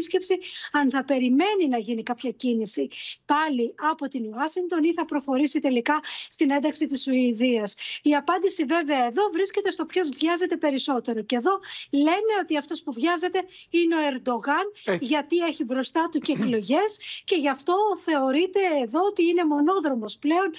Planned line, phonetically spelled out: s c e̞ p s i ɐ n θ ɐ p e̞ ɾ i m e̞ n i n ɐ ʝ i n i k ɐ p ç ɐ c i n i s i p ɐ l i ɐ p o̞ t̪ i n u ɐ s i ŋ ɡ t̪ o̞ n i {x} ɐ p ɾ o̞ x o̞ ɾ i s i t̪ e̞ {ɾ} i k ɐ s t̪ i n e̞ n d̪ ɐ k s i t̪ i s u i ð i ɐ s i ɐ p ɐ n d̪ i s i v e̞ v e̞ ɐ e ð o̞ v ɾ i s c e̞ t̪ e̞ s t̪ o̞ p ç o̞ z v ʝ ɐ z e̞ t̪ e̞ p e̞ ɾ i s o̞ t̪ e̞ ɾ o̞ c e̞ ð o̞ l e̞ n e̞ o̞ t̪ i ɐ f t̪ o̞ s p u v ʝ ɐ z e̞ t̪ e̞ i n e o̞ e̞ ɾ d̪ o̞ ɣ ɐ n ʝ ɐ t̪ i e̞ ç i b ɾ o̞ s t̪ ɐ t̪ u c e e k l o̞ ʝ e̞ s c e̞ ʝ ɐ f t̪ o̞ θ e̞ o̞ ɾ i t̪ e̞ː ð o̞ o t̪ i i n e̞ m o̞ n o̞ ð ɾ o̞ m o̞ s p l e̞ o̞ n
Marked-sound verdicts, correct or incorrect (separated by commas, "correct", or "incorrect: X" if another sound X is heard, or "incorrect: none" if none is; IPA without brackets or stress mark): incorrect: θ, incorrect: l